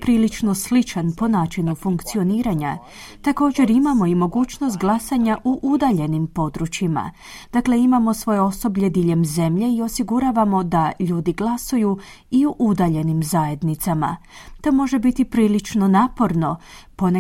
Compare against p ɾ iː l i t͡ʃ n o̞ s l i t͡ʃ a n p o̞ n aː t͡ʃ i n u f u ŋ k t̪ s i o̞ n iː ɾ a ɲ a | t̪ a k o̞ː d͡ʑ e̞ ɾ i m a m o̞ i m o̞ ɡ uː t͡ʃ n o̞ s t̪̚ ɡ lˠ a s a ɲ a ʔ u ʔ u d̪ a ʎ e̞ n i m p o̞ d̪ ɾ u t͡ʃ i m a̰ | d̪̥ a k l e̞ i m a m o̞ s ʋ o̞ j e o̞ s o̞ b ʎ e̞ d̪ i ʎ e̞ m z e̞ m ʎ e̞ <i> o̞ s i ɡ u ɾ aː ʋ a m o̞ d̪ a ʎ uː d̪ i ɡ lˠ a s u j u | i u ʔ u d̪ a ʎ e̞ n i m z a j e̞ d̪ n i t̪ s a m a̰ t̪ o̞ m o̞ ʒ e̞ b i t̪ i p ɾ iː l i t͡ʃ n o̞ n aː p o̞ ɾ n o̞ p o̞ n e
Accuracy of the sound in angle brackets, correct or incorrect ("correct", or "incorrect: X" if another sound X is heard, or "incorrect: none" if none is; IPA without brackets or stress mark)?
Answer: correct